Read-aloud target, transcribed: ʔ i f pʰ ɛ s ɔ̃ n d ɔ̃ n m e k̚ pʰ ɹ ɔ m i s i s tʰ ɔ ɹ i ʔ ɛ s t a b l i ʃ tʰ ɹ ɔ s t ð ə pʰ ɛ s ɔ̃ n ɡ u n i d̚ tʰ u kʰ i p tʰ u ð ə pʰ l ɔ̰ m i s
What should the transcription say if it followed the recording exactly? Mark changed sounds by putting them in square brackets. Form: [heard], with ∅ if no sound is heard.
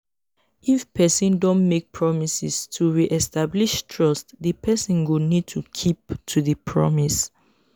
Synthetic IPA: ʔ i f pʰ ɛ s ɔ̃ n d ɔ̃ n m e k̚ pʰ ɹ ɔ m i s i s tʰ [u] ɹ i ʔ ɛ s t a b l i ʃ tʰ ɹ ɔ s t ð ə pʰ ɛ s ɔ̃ n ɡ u n i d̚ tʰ u kʰ i p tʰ u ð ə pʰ [ɹ] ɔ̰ m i s